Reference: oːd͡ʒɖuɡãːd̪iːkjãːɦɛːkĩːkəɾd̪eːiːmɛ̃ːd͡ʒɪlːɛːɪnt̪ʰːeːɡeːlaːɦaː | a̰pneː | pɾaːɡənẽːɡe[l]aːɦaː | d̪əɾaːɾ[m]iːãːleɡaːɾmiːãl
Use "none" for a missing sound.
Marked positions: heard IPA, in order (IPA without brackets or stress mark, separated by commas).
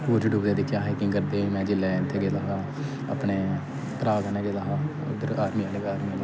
l, m